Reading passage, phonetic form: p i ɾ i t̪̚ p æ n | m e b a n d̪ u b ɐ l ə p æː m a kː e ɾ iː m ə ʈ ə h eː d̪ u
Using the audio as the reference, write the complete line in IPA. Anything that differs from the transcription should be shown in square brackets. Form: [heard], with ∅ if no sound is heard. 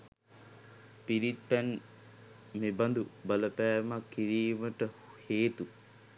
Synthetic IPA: p i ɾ i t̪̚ p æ n | m e b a n d̪ u b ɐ l ə p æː m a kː [i] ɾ iː m ə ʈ ə h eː [t̪] u